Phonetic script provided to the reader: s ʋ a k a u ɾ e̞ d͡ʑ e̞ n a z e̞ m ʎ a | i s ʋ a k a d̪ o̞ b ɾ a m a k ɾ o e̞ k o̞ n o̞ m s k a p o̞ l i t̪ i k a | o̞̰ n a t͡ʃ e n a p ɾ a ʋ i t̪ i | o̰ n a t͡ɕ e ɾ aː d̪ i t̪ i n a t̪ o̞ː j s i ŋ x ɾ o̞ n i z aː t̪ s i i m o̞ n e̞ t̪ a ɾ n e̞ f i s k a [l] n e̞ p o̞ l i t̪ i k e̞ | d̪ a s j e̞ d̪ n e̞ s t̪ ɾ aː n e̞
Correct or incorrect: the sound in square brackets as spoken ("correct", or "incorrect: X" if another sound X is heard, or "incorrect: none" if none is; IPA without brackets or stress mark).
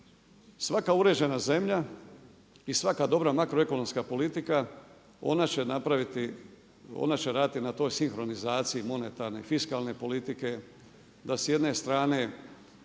correct